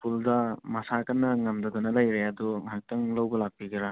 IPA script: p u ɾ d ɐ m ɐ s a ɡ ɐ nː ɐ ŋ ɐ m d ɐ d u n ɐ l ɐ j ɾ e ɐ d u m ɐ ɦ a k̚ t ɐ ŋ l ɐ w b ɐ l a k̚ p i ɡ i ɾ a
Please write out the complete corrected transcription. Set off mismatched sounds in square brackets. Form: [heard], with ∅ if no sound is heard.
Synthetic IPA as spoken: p u [l] d ɐ m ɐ s a [k] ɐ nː ɐ ŋ ɐ m d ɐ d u n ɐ l ɐ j ɾ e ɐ d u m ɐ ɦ a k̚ t ɐ ŋ l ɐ w b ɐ l a k̚ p i ɡ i ɾ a

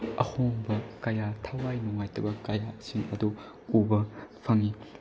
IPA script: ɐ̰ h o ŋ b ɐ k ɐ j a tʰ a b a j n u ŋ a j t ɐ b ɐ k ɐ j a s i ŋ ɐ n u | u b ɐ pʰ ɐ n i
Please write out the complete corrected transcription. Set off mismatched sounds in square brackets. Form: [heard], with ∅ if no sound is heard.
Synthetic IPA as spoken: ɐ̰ h o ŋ b ɐ k ɐ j a tʰ a [w] a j n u ŋ a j t ɐ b ɐ k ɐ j a s i ŋ ɐ [d] u | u b ɐ pʰ ɐ [ŋ] i

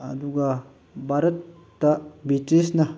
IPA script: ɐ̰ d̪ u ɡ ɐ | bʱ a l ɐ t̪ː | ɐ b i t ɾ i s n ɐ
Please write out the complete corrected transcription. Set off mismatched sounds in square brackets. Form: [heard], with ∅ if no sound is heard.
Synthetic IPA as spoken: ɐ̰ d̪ u ɡ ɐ | bʱ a [ɾ] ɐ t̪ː | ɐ b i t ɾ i s n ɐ

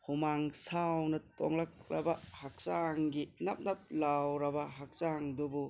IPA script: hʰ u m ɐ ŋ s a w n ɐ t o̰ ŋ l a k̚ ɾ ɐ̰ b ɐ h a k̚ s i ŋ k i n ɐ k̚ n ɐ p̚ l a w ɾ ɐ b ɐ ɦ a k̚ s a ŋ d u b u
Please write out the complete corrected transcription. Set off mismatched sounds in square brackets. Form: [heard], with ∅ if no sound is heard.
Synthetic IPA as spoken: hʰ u m [a] ŋ s a w n ɐ t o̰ ŋ l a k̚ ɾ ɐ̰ b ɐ h a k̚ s [a] ŋ [ɡ] i n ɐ [p̚] n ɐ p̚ l a w ɾ ɐ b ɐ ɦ a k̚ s a ŋ d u b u

